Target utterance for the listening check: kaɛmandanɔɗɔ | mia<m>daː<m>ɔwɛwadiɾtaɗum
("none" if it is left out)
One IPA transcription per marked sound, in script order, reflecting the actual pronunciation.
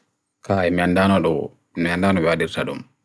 n, n

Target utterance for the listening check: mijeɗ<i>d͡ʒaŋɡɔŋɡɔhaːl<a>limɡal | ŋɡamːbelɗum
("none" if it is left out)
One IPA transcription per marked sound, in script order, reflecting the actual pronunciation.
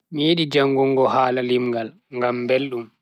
i, a

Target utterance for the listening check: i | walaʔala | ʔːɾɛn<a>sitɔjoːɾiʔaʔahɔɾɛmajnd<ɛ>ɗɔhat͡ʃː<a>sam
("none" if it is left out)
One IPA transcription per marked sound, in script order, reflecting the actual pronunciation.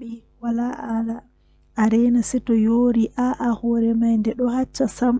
a, ɛ, a

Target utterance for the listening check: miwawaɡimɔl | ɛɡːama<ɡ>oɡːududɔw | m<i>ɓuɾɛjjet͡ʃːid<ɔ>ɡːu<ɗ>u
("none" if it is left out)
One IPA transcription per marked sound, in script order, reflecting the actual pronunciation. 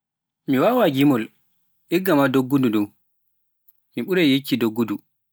d, i, o, d

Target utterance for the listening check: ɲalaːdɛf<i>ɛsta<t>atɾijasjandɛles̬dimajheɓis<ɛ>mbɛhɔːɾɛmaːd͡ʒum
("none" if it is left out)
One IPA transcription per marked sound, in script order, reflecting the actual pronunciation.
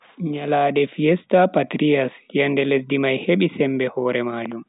i, p, ɛ

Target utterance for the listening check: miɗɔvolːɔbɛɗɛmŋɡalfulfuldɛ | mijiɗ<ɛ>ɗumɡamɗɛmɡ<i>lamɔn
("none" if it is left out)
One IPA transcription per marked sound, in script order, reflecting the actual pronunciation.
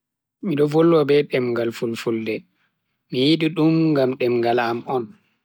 i, a

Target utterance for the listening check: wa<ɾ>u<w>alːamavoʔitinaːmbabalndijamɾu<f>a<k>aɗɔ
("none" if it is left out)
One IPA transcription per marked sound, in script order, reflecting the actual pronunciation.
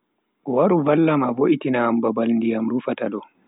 ɾ, v, f, t

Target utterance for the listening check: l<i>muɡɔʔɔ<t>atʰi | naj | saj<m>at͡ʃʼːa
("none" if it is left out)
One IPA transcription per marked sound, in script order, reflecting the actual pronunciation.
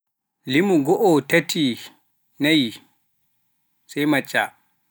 i, t, m

